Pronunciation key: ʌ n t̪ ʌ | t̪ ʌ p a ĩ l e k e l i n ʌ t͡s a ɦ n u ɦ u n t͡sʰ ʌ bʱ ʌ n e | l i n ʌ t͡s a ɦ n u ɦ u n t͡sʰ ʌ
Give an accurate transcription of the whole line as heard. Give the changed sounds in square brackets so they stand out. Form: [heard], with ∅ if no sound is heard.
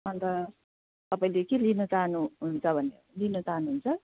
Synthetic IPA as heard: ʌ n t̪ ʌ | t̪ ʌ p a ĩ l e k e l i n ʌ t͡s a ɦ n u ɦ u n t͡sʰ ʌ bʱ ʌ n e | l i n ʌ t͡s a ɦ n u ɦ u n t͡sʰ ʌ